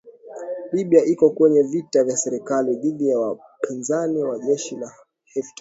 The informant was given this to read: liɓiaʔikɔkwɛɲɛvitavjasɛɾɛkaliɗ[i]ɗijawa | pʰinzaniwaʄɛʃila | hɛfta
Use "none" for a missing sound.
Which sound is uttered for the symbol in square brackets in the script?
i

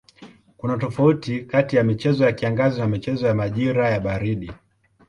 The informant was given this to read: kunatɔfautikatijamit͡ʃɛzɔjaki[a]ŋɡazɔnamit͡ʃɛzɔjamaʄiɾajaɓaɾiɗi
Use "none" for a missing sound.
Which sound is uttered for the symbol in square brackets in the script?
a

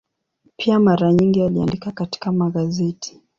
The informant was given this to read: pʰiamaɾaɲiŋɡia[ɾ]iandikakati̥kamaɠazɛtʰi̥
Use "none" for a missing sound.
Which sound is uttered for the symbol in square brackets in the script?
l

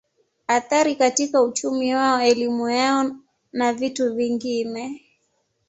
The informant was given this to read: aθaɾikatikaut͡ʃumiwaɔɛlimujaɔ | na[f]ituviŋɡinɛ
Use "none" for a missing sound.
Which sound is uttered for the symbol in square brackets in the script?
v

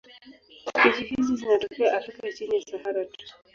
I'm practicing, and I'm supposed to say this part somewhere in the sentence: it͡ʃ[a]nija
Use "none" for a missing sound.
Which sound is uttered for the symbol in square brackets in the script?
i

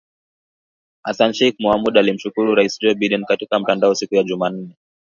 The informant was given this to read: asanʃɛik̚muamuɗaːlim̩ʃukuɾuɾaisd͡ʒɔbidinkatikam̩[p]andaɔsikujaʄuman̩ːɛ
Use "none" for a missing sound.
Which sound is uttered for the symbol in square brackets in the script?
t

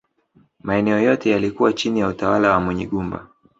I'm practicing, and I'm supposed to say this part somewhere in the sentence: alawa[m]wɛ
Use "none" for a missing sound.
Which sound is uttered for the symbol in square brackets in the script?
m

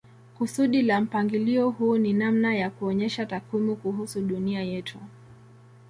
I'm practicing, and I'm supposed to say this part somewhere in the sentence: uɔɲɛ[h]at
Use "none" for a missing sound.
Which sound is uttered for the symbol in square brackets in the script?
ʃ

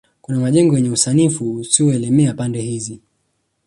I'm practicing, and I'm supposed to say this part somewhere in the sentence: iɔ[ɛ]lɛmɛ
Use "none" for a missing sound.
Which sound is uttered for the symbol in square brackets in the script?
ɛ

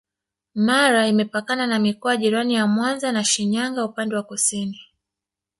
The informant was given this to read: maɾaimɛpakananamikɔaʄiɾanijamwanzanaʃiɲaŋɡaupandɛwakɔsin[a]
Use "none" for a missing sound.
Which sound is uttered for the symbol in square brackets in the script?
i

